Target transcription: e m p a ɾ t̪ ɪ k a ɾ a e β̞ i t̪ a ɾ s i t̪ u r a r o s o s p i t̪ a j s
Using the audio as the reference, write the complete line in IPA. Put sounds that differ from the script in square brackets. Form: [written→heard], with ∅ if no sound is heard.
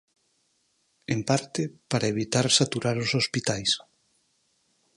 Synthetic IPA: e m p a ɾ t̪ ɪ [k→p] a ɾ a e β̞ i t̪ a ɾ s [i→a] t̪ u [r→ɾ] a [r→ɾ] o s o s p i t̪ a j s